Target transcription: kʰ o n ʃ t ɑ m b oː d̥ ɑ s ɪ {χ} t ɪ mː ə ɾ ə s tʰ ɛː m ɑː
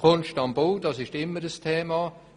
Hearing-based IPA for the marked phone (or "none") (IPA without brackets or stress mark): ʃ